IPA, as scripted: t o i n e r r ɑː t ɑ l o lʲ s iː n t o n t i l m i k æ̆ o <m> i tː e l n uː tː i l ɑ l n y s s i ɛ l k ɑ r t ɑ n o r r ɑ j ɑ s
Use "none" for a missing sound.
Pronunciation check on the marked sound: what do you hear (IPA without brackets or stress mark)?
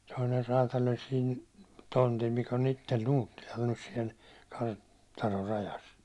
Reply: n